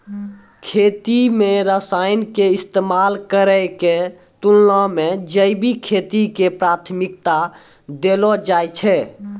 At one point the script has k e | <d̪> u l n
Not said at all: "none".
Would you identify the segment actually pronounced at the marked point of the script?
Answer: t̪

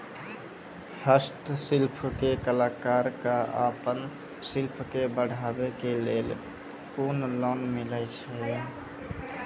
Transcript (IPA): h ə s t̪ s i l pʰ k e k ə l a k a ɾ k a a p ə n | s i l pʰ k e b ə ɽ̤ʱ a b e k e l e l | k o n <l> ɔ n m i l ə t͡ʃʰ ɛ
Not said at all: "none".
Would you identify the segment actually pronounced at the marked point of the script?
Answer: l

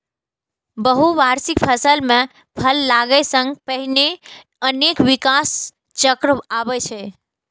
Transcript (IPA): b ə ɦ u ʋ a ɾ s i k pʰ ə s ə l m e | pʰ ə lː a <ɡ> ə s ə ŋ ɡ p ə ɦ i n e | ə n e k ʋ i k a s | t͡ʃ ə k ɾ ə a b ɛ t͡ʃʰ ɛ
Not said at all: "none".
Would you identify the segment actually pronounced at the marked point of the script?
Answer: ɡ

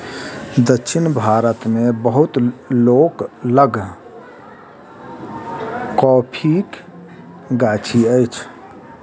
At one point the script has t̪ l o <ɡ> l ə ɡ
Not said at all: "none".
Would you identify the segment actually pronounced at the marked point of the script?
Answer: k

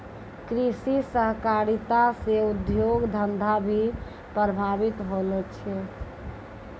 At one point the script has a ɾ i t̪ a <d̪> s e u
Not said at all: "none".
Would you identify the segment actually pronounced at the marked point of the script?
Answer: none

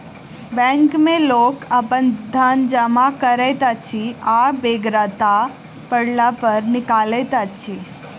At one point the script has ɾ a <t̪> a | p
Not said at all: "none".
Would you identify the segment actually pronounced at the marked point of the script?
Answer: t̪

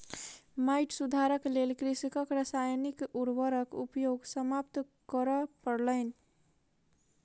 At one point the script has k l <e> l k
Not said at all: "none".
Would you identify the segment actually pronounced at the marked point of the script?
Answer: e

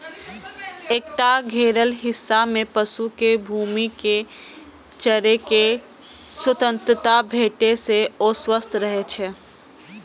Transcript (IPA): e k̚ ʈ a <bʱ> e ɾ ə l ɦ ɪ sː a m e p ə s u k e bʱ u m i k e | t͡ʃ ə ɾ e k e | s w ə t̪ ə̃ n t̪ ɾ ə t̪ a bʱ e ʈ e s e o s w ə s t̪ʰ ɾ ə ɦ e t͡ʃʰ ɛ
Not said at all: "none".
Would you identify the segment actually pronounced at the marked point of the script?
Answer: ɡʱ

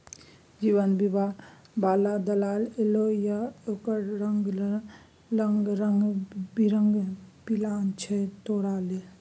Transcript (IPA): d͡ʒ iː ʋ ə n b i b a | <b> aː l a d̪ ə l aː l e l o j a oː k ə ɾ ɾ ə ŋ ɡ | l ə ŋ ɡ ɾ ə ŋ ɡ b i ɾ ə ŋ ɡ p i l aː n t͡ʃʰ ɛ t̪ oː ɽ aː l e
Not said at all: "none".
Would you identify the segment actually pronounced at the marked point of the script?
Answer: b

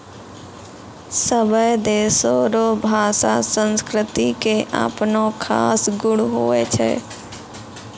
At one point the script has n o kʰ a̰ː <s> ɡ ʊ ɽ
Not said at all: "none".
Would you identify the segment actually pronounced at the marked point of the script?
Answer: s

